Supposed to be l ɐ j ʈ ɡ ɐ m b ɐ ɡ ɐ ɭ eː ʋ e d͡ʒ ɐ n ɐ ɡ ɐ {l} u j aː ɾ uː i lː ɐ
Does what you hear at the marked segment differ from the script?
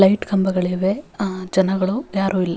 yes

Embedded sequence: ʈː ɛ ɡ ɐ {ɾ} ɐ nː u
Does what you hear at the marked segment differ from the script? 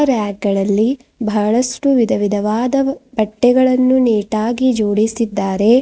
yes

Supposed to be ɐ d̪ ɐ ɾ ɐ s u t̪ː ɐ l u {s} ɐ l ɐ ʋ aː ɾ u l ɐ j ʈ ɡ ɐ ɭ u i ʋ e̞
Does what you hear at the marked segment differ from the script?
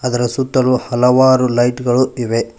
yes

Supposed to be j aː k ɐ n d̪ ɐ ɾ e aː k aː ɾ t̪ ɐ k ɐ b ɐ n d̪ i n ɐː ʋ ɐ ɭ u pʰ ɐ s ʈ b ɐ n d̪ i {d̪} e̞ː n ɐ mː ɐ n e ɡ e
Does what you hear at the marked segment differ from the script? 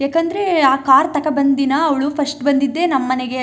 yes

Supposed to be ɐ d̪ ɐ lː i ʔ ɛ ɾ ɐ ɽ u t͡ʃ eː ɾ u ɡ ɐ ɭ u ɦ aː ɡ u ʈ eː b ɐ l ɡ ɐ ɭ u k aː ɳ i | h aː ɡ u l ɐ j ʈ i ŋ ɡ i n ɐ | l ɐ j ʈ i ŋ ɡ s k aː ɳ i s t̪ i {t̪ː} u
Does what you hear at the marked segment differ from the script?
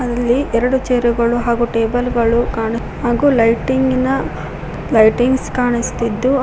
yes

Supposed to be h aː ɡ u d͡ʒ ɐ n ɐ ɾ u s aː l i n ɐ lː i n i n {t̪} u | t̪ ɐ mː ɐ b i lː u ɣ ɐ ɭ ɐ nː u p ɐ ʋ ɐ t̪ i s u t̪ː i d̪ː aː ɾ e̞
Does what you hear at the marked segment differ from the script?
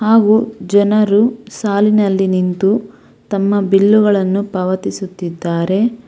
no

